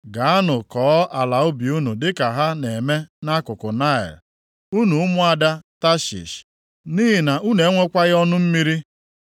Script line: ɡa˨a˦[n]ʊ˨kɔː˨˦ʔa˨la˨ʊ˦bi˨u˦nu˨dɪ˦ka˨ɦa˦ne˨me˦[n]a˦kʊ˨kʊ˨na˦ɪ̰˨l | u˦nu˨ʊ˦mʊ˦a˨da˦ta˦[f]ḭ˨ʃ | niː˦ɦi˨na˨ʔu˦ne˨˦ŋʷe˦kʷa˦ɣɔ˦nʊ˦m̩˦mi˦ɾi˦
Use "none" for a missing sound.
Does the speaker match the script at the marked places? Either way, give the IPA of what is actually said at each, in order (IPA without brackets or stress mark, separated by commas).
n, n, ʃ